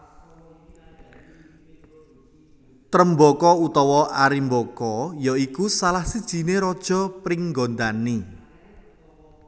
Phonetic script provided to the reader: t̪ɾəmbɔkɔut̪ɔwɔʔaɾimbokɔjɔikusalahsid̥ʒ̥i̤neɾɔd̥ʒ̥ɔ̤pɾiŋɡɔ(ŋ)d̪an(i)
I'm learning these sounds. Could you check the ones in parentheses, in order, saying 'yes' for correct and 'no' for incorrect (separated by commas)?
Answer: no, yes